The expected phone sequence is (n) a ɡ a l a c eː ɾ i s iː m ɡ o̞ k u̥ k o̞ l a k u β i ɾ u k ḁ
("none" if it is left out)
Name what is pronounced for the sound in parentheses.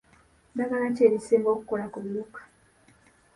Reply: d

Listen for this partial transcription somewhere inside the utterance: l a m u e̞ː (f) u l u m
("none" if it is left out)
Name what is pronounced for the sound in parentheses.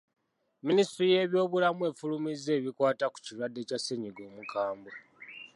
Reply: f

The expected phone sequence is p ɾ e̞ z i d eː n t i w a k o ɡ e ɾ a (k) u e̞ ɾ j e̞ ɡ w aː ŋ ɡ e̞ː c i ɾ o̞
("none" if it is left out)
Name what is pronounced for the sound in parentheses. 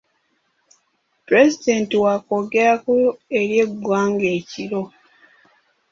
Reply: k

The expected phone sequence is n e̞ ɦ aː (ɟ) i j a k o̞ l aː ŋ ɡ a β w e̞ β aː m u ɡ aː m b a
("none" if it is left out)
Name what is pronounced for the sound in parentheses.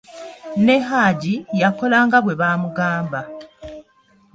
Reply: ɟ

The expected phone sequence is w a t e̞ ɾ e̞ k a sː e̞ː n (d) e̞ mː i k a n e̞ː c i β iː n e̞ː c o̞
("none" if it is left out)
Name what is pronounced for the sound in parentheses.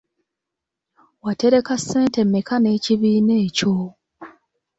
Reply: t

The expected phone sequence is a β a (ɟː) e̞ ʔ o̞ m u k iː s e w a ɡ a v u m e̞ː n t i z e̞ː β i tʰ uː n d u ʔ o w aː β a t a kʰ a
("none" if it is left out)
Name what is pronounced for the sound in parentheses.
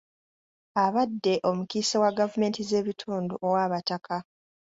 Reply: dː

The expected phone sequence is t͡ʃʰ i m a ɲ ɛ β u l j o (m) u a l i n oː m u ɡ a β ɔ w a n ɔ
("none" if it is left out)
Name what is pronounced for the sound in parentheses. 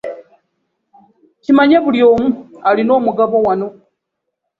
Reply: m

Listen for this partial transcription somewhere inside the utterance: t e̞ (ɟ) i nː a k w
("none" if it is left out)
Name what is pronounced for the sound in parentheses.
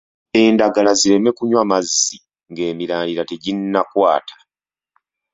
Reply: ɟ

